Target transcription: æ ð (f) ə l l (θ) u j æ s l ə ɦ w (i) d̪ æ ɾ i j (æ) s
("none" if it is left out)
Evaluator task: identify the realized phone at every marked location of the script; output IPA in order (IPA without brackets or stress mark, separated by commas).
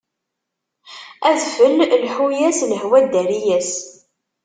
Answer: f, ħ, æ, æ